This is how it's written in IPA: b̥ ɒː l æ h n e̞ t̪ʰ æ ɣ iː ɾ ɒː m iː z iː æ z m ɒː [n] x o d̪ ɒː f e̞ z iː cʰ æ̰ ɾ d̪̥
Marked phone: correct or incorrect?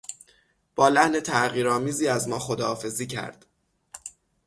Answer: incorrect